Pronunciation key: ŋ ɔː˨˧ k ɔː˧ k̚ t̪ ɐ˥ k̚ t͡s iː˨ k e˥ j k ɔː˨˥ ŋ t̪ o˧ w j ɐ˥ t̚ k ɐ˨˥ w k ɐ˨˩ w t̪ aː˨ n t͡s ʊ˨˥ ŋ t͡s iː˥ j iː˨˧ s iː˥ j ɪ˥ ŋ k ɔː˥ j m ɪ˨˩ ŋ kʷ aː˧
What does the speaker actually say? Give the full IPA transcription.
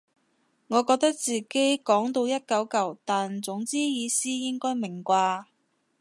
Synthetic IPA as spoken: ŋ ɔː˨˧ k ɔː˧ k̚ t̪ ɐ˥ k̚ t͡s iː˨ k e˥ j k ɔː˨˥ ŋ t̪ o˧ w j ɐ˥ t̚ k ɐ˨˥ w k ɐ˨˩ w t̪ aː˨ n t͡s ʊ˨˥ ŋ t͡s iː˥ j iː˨˧ s iː˥ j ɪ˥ ŋ k ɔː˥ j m ɪ˨˩ ŋ kʷ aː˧

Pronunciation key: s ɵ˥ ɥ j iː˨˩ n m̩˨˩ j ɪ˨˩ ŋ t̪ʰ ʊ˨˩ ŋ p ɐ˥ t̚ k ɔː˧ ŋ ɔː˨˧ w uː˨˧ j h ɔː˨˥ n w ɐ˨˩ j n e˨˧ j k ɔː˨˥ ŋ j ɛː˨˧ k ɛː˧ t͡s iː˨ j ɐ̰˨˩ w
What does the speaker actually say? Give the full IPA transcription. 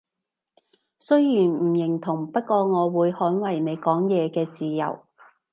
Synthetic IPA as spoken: s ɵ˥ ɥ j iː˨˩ n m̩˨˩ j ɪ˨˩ ŋ t̪ʰ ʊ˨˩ ŋ p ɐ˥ t̚ k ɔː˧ ŋ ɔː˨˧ w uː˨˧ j h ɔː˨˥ n w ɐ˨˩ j n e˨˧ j k ɔː˨˥ ŋ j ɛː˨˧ k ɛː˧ t͡s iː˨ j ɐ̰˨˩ w

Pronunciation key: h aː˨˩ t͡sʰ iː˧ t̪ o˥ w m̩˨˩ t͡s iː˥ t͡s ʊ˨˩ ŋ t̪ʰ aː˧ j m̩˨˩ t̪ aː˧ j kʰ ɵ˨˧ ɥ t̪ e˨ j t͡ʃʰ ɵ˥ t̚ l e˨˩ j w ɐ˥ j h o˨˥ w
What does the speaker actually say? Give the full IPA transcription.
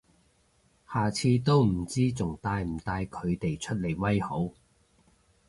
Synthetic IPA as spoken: h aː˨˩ t͡sʰ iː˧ t̪ o˥ w m̩˨˩ t͡s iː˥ t͡s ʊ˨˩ ŋ t̪ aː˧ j m̩˨˩ t̪ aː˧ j kʰ ɵ˨˧ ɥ t̪ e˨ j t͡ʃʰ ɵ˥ t̚ l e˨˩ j w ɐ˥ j h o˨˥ w

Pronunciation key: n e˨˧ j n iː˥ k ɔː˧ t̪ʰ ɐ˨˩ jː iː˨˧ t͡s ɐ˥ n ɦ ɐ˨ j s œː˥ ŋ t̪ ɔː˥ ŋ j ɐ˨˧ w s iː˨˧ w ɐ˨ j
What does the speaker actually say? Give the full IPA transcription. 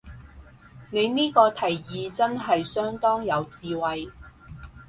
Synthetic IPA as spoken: n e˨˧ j n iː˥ k ɔː˧ t̪ʰ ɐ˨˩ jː iː˨˧ t͡s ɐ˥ n ɦ ɐ˨ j s œː˥ ŋ t̪ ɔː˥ ŋ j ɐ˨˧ w t͡s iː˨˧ w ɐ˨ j

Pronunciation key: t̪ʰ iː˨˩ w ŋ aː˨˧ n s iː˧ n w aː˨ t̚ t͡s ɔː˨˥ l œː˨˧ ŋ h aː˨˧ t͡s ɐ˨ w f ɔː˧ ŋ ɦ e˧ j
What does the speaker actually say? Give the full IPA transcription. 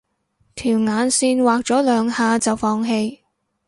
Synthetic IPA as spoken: t̪ʰ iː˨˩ w ŋ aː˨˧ n s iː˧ n w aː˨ k̚ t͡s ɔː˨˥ l œː˨˧ ŋ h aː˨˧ t͡s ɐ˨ w f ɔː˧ ŋ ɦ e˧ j

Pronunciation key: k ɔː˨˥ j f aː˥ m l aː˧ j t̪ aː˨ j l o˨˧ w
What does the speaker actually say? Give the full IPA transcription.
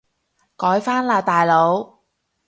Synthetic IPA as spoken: k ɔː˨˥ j f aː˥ n l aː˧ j t̪ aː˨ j l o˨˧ w

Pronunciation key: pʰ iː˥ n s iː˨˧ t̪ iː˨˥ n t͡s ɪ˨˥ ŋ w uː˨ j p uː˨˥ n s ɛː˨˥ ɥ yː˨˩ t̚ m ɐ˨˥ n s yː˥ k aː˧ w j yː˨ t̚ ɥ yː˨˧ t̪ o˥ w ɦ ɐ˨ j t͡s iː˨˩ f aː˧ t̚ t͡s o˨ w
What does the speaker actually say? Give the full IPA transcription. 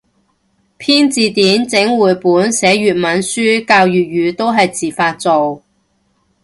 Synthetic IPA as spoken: pʰ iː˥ n t͡s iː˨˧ t̪ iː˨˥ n t͡s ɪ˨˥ ŋ w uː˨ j p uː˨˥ n s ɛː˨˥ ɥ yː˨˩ t̚ m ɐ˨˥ n s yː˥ k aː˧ w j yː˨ t̚ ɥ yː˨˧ t̪ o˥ w ɦ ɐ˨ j t͡s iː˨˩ f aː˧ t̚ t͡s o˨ w

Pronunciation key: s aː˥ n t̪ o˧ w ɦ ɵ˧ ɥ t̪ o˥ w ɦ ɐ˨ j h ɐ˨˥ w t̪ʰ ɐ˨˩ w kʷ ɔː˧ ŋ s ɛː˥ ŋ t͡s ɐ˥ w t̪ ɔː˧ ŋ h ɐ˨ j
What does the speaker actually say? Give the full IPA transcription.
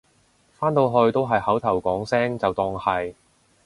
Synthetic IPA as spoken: f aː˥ n t̪ o˧ w ɦ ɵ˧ ɥ t̪ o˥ w ɦ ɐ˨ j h ɐ˨˥ w t̪ʰ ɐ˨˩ w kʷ ɔː˨˥ ŋ s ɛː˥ ŋ t͡s ɐ˨ w t̪ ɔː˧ ŋ h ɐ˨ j

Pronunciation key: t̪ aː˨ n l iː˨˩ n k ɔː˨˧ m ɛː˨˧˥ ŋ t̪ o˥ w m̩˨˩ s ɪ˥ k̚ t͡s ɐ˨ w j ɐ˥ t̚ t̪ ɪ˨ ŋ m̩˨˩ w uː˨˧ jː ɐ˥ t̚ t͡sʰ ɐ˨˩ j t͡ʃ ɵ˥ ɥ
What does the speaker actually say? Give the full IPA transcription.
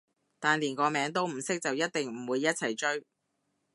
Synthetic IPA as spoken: t̪ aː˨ n l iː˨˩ n k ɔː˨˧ m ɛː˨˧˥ ŋ t̪ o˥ w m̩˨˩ s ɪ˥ k̚ t͡s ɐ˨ w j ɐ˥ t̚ t̪ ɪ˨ ŋ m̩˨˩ w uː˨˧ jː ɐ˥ t̚ t͡sʰ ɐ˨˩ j t͡ʃ ɵ˥ ɥ

